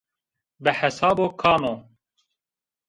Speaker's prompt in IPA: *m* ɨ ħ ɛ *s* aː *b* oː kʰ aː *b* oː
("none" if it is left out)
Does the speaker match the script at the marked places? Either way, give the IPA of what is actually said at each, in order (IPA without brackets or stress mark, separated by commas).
b, s, b, m